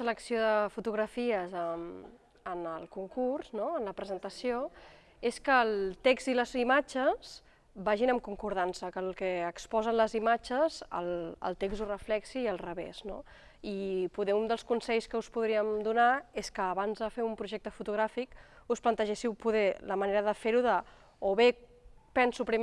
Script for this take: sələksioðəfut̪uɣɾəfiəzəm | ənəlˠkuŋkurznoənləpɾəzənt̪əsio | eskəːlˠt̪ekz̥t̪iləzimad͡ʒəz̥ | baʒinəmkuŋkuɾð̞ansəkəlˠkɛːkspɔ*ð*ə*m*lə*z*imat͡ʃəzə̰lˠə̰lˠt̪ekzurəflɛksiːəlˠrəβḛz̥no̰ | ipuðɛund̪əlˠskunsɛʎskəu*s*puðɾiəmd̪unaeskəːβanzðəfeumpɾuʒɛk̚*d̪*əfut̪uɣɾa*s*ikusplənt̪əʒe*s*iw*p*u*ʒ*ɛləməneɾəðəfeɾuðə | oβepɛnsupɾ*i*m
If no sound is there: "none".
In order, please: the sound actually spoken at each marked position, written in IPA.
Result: z, n, z, s, t̪, f, s, p, ð, i

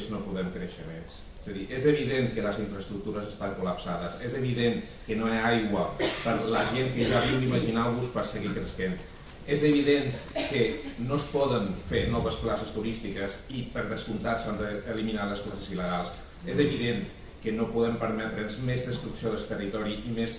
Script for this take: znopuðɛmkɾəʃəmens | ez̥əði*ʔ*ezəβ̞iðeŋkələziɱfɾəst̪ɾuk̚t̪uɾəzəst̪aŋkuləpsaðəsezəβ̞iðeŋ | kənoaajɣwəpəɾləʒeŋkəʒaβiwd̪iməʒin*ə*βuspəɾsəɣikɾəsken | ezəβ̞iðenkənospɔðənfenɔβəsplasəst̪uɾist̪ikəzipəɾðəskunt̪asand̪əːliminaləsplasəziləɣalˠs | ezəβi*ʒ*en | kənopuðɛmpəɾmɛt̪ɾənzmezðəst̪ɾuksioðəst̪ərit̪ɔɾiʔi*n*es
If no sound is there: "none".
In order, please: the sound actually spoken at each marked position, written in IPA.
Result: ʔ, a, ð, m

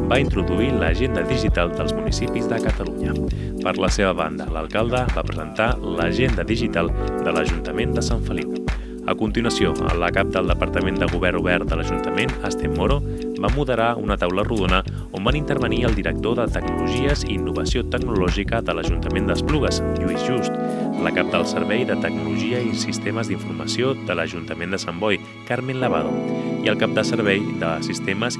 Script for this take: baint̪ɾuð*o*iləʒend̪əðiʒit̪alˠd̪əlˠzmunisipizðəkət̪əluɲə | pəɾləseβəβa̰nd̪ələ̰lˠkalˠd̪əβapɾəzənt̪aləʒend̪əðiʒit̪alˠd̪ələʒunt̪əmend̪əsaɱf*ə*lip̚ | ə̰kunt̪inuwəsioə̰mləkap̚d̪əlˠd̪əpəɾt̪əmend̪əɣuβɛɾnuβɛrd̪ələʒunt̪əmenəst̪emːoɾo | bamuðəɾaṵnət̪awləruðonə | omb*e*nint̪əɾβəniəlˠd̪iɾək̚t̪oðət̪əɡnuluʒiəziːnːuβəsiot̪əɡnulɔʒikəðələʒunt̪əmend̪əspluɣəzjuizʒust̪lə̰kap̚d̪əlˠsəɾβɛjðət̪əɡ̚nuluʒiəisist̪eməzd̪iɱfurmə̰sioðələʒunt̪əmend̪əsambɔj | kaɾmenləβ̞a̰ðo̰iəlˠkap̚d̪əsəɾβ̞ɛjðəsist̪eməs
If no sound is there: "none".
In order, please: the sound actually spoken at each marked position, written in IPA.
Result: u, ə, a

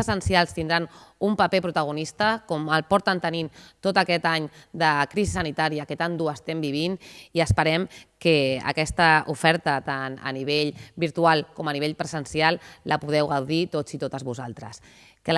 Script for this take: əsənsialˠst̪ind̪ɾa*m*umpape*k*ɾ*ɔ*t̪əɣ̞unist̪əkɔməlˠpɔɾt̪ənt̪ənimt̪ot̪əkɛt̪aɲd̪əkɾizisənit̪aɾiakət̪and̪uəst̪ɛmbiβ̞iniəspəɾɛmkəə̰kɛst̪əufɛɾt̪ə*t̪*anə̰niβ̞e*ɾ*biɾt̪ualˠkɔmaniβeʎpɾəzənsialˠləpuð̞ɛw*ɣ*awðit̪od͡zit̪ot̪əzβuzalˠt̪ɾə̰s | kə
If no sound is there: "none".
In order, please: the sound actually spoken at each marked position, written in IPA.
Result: n, p, u, t̪, ʎ, ɣ

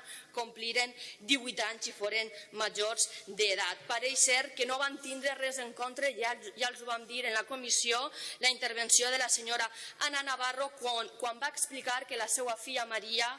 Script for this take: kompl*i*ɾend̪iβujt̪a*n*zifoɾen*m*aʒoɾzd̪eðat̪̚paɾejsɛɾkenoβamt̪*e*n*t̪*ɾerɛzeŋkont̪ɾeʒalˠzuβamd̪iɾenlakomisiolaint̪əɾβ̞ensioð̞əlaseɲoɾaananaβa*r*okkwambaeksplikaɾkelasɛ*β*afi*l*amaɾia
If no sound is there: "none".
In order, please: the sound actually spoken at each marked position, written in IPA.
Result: i, ɲ, m, i, d̪, r, w, ʎ

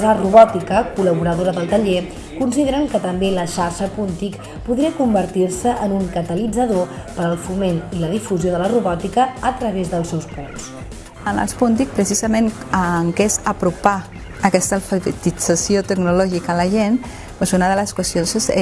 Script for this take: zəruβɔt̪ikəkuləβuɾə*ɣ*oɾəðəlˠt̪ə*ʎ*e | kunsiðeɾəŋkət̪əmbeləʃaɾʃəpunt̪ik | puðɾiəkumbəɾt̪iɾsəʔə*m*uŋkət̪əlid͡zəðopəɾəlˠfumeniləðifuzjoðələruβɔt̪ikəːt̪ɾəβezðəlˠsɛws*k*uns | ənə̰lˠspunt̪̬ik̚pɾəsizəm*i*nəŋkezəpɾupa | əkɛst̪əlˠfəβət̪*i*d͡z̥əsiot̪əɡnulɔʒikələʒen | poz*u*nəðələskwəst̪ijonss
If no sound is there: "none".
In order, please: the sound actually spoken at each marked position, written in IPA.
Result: ð, ʎ, n, p, e, i, u

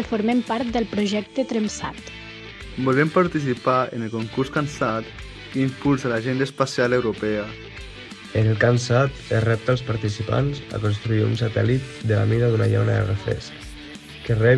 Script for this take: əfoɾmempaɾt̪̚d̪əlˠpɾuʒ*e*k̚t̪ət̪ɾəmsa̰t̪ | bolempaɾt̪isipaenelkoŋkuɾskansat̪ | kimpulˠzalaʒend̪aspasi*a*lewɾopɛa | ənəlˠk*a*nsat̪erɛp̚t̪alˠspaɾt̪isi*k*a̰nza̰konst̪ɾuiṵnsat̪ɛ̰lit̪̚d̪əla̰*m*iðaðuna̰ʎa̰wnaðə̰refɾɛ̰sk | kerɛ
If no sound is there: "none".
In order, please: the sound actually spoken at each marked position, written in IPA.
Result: ɛ, a, a, p, m

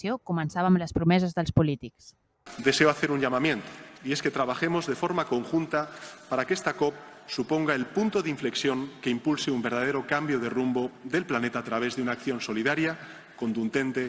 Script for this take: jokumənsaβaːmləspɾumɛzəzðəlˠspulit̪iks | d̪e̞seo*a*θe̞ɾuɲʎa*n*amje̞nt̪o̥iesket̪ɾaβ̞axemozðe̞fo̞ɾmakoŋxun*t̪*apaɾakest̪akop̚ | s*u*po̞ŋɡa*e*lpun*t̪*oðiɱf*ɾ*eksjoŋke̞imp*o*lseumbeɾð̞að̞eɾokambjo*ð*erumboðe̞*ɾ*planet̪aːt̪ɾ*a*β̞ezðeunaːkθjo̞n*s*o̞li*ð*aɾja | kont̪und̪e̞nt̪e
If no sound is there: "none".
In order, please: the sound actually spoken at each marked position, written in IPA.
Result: a, m, t̪, u, e, t̪, l, u, ð, l, a, s, ð

